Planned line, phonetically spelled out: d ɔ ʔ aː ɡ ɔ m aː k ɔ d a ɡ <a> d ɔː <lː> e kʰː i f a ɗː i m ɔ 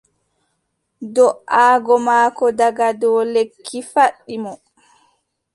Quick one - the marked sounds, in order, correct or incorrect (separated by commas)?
correct, incorrect